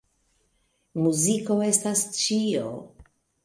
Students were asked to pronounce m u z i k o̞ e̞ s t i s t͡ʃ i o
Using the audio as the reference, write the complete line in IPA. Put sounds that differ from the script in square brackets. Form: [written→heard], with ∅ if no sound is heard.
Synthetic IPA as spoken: m u z i k o̞ e̞ s t [i→a] s t͡ʃ i o